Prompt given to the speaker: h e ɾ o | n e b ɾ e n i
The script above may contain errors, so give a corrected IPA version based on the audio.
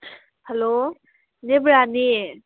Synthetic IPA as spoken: h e l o | n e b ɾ a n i